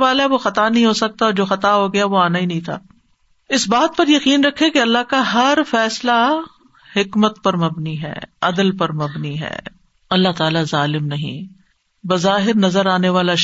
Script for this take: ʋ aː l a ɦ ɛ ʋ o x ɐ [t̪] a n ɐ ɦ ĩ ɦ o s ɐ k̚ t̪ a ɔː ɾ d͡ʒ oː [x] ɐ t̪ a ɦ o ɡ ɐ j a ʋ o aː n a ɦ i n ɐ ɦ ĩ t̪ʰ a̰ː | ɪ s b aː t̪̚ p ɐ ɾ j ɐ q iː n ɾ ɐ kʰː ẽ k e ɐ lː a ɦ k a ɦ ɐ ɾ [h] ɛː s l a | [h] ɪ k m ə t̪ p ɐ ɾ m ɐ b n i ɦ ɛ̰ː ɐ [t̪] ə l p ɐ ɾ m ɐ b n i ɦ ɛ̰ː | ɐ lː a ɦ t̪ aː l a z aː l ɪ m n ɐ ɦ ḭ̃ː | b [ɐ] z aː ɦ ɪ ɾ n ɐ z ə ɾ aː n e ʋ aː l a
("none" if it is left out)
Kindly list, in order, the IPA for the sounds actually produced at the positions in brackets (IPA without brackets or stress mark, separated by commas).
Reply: t̪, x, f, h, d̪, ɐ